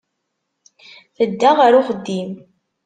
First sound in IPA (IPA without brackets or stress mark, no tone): θ